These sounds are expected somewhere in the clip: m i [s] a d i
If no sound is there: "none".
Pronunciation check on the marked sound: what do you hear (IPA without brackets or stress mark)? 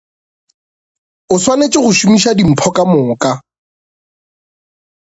ʃ